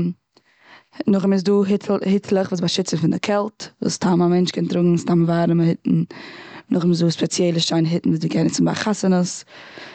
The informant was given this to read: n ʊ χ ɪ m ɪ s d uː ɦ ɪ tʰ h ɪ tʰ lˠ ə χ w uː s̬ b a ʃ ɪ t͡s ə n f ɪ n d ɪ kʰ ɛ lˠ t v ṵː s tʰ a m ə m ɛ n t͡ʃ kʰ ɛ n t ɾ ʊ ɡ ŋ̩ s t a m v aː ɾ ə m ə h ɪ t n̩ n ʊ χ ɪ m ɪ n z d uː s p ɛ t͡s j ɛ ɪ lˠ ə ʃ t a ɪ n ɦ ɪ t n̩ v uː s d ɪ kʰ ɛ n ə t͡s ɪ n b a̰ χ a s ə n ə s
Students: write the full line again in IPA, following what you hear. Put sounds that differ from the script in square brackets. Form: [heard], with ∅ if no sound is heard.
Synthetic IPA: n ʊ χ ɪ m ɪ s d uː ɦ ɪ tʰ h ɪ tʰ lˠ ə χ [v] uː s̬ b a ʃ ɪ t͡s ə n f ɪ n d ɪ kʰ ɛ lˠ t v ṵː s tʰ a m [a] m ɛ n t͡ʃ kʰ ɛ n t ɾ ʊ ɡ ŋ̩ s t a m v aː ɾ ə m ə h ɪ t n̩ n ʊ χ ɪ m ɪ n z d uː s p ɛ t͡s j ɛ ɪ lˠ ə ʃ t a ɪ n ɦ ɪ t n̩ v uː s d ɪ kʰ ɛ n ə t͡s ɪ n b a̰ χ a s ə n ə s